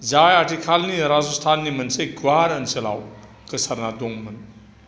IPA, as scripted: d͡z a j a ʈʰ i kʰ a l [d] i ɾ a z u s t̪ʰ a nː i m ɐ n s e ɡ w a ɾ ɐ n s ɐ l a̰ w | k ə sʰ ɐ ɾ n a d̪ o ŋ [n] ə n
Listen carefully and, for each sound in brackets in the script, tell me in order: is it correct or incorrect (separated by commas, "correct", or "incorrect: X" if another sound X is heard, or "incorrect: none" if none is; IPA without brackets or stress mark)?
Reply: incorrect: n, incorrect: m